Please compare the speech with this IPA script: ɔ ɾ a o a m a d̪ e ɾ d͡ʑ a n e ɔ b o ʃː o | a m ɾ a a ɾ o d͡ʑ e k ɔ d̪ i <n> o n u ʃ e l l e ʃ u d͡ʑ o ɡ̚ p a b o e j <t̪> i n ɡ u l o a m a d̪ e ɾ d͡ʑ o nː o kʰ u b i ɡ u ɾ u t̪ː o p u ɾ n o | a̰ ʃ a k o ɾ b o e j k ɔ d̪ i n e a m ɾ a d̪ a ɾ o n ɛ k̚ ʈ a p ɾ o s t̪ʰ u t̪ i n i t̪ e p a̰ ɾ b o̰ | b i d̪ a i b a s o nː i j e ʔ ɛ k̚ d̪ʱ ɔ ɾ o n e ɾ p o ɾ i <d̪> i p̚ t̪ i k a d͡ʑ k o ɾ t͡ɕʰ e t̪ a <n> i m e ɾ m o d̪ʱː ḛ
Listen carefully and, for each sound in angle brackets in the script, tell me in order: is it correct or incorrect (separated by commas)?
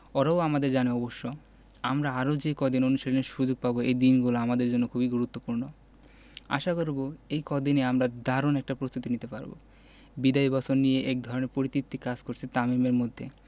correct, incorrect, incorrect, incorrect